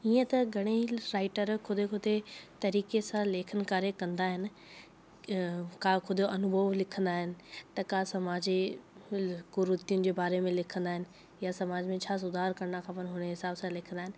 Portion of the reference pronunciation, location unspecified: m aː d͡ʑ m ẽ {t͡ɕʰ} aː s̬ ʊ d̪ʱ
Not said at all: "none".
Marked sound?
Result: t͡ɕʰ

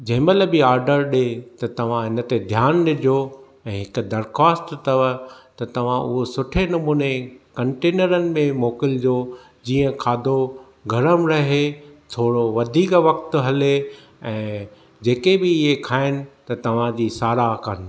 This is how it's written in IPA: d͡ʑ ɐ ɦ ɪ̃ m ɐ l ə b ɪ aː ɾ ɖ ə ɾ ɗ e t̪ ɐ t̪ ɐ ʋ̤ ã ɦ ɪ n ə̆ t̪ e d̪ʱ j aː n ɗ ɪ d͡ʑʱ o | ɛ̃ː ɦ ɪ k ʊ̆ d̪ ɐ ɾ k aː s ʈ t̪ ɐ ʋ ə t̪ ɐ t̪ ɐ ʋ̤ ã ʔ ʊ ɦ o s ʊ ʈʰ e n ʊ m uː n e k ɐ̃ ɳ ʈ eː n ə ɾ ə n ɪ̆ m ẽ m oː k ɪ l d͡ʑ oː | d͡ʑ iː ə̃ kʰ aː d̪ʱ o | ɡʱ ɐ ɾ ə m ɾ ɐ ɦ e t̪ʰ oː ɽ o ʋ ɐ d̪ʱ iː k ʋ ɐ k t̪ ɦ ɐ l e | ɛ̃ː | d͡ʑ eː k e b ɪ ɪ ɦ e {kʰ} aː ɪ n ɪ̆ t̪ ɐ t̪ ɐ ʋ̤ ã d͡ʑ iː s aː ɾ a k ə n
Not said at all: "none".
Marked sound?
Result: kʰ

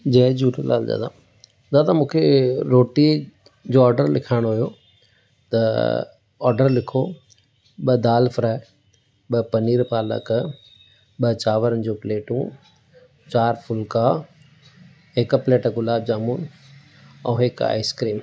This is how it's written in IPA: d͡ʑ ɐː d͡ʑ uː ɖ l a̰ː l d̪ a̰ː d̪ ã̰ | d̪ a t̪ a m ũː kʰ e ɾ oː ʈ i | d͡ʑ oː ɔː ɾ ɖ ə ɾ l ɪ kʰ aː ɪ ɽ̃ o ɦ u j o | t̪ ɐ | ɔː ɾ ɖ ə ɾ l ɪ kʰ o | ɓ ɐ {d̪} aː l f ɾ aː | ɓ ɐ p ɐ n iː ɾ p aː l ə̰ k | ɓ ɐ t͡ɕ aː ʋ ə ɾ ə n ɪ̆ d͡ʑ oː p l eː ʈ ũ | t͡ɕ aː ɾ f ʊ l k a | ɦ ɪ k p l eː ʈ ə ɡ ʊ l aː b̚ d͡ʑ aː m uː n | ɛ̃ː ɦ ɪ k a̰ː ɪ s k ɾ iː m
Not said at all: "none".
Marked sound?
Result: d̪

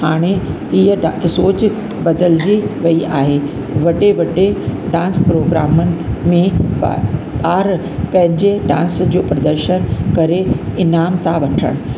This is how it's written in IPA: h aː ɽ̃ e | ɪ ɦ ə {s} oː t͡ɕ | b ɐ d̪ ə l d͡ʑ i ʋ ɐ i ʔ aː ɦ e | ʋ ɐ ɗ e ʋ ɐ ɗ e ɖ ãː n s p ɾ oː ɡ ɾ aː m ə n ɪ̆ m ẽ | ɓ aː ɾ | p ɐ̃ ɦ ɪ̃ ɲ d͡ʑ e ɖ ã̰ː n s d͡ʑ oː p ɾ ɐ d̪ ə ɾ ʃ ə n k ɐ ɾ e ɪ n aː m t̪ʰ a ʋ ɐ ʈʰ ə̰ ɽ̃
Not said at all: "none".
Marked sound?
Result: s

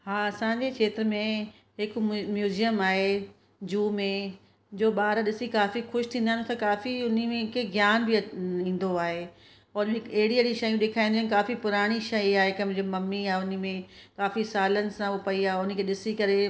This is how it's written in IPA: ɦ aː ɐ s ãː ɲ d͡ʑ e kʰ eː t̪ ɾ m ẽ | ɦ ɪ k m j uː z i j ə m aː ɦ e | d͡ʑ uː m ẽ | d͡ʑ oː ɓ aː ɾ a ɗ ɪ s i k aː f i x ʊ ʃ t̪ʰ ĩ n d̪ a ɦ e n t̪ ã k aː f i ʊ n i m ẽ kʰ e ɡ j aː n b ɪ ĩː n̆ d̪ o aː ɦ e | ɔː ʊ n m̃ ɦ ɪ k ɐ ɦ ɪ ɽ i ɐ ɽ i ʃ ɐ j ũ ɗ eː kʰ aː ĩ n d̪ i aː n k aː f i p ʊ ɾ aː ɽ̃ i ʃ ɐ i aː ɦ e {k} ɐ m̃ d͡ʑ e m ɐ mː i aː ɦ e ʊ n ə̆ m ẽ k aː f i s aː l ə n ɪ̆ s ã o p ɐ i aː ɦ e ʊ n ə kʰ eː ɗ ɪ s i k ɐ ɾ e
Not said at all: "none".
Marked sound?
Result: k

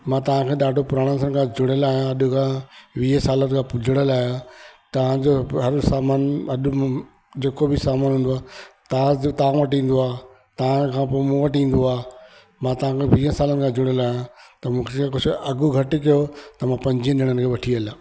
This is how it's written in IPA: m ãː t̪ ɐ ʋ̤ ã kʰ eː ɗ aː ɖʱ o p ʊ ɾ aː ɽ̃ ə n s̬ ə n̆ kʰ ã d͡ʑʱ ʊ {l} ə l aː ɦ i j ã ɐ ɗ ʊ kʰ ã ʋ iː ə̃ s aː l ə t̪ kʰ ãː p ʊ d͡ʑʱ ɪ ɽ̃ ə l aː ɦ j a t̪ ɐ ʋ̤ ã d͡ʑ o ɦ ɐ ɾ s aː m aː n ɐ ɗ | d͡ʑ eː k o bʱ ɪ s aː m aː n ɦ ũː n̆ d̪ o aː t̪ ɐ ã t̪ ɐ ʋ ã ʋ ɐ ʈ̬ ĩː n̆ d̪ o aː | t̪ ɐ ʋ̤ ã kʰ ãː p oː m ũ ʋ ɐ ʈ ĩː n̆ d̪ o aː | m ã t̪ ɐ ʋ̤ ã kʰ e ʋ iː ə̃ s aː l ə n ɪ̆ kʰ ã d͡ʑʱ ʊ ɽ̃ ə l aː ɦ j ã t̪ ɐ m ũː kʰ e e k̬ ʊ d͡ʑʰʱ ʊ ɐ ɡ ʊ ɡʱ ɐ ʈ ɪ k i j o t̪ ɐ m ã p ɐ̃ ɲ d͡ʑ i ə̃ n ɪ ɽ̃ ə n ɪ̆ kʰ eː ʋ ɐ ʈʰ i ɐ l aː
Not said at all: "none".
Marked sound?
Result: ɽ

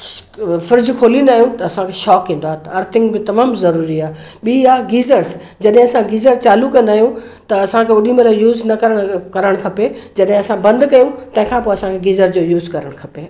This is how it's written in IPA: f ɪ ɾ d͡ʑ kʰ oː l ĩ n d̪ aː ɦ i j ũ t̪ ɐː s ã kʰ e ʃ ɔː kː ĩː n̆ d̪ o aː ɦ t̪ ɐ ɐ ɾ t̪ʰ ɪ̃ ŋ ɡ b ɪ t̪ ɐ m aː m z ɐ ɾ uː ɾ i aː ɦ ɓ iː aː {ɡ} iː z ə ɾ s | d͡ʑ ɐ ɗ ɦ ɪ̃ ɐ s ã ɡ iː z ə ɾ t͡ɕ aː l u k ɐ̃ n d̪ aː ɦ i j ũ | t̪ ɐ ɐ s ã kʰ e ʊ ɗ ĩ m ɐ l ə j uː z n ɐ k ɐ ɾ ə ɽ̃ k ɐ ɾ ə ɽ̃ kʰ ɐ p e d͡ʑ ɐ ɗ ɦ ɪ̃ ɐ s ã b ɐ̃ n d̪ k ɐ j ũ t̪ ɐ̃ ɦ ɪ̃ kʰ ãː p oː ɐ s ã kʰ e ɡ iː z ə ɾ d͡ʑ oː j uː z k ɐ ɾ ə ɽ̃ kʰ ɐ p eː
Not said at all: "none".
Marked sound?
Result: ɡ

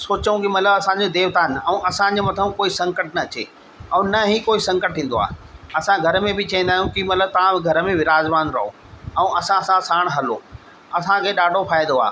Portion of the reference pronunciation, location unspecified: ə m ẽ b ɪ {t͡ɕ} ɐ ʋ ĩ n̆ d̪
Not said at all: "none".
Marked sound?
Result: t͡ɕ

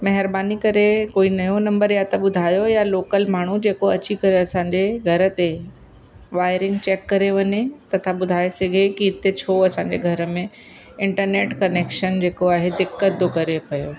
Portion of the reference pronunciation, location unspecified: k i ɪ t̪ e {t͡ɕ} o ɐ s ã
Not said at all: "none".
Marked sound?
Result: t͡ɕʰ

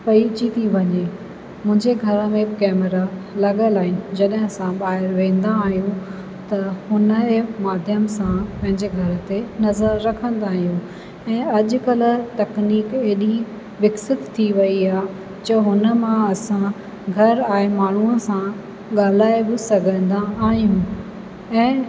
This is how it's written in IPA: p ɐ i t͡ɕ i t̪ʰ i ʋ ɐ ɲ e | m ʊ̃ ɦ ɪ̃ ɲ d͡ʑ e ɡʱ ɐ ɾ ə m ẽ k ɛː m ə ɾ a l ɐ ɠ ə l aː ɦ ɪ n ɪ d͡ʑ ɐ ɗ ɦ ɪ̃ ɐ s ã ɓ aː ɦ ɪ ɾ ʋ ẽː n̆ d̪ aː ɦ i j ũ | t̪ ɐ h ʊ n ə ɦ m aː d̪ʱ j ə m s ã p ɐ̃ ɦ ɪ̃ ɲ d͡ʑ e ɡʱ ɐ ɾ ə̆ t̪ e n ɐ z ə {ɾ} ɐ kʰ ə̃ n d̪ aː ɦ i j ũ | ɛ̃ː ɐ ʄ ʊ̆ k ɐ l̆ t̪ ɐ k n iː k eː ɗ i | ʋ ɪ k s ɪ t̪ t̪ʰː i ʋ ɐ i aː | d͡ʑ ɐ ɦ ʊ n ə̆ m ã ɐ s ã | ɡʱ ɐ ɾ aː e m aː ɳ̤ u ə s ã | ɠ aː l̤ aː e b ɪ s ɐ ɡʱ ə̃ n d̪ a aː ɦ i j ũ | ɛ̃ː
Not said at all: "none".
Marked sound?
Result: ɾː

